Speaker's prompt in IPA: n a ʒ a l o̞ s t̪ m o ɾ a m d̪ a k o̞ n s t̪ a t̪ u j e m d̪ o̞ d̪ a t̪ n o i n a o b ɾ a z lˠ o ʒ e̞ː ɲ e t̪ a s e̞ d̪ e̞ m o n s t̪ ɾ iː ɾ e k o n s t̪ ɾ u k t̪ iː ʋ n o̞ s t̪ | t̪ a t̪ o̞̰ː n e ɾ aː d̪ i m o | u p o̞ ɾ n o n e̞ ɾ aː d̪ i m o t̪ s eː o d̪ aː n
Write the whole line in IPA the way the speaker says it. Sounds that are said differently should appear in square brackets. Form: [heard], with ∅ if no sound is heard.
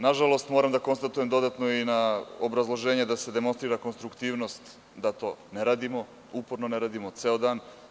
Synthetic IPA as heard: n a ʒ a l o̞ s t̪ m o ɾ a m d̪ a k o̞ n s t̪ a t̪ u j e m d̪ o̞ d̪ a t̪ n o i n a o b ɾ a z lˠ o ʒ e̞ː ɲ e [d̪] a s e̞ d̪ e̞ m o n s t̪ ɾ iː ɾ [a] k o n s t̪ ɾ u k t̪ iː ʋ n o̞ s t̪ | [d̪] a t̪ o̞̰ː n e ɾ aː d̪ i m o | u p o̞ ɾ n o n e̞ ɾ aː d̪ i m o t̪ s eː o d̪ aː n